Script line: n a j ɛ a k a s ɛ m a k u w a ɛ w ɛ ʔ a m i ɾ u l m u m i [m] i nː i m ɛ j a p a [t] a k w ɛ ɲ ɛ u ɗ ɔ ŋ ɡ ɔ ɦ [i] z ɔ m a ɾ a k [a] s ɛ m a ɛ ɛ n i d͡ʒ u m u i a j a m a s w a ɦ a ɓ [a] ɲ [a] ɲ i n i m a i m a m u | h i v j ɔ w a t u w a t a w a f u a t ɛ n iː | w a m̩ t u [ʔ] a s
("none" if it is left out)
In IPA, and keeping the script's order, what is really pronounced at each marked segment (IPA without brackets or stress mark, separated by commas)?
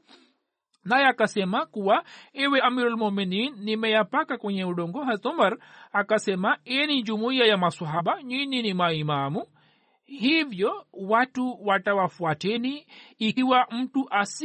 n, k, a, a, a, i, ʔ